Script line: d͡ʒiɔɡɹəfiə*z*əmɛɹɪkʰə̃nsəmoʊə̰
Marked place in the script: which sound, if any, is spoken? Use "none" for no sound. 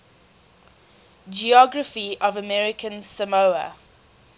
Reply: v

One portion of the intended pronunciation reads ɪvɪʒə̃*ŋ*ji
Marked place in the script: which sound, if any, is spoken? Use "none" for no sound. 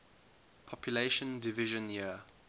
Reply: n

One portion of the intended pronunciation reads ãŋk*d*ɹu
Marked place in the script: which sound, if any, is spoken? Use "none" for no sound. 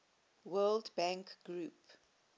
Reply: ɡ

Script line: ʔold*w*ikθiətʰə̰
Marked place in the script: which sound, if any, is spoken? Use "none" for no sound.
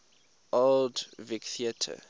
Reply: v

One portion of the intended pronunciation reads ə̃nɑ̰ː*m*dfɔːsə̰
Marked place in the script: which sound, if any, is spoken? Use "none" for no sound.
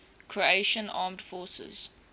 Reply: m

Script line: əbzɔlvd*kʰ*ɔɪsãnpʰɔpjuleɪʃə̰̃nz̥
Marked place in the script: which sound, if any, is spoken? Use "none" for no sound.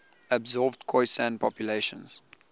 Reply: kʰ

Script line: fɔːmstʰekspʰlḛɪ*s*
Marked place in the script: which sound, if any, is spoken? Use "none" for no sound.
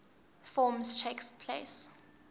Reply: s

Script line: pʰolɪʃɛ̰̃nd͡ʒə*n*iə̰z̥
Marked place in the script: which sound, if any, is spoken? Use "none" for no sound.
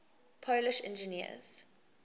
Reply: n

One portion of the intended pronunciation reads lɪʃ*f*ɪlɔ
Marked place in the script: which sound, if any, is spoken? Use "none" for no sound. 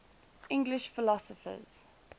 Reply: f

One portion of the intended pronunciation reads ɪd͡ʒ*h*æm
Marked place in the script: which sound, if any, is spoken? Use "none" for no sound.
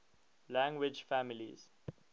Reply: f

